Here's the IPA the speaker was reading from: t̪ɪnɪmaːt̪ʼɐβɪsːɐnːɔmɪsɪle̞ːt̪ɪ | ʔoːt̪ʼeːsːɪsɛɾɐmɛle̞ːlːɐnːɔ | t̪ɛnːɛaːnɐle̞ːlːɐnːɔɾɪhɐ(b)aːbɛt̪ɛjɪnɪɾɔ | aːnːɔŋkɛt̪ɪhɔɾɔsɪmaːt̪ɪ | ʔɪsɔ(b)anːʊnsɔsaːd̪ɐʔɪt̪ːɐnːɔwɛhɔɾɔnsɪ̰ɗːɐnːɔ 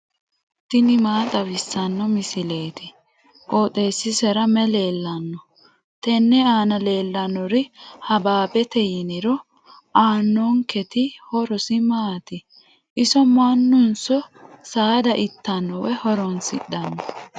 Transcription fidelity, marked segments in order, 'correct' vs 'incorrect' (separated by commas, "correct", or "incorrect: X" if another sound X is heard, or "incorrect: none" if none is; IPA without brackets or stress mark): correct, incorrect: m